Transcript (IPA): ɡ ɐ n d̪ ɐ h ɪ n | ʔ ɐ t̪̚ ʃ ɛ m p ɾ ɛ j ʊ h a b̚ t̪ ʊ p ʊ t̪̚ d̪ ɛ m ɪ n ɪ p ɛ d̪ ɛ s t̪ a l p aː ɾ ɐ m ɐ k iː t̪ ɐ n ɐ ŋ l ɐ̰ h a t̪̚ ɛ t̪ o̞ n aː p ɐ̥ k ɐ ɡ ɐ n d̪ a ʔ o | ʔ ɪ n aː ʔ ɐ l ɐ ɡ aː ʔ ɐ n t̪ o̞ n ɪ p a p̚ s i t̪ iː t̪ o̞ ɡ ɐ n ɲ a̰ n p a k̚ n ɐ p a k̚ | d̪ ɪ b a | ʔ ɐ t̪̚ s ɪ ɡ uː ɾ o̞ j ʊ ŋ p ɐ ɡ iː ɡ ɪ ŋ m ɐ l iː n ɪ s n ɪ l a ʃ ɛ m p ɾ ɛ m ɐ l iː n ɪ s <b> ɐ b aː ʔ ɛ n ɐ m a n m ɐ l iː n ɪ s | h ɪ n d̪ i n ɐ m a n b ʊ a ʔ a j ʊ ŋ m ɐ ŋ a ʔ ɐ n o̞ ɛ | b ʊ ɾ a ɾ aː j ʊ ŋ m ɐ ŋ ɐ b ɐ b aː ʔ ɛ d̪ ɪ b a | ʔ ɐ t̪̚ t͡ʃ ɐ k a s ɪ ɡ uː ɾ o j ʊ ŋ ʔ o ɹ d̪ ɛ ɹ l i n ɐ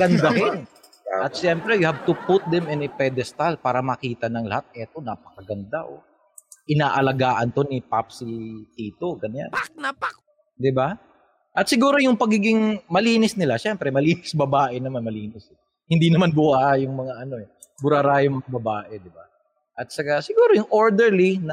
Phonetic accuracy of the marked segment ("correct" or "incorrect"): correct